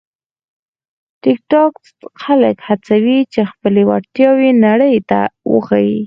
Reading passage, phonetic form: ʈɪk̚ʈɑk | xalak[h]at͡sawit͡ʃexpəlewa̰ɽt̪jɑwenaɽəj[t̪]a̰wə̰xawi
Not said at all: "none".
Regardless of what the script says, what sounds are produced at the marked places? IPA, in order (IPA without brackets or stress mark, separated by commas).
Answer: h, t̪